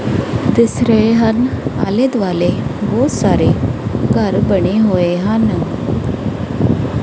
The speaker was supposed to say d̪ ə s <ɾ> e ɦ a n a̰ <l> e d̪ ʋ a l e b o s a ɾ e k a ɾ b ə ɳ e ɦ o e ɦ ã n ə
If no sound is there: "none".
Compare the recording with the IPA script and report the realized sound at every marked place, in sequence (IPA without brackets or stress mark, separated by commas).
ɾ, l